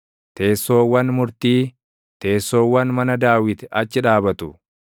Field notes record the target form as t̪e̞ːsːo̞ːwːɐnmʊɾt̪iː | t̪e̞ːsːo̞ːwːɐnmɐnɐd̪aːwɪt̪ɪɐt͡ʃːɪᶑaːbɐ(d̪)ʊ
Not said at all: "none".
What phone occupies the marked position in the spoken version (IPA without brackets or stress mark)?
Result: t̪